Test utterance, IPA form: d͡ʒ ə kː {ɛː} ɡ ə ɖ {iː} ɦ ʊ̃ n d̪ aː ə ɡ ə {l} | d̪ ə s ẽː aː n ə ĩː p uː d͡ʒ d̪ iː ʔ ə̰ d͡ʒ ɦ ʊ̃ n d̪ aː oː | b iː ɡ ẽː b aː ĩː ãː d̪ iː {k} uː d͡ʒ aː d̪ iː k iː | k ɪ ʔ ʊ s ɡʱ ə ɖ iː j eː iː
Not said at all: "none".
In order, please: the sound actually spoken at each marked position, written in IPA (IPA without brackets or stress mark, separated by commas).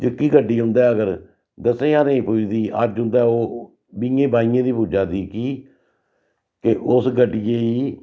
iː, iː, ɾ, p